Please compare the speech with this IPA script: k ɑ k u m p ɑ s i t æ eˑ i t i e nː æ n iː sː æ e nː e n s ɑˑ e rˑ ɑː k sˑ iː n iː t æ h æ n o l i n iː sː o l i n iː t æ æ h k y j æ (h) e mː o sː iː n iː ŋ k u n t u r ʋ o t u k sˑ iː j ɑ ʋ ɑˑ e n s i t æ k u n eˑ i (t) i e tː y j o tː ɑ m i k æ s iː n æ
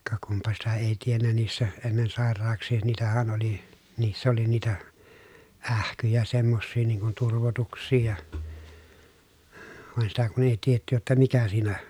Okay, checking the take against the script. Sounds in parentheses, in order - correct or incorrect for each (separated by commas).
incorrect, correct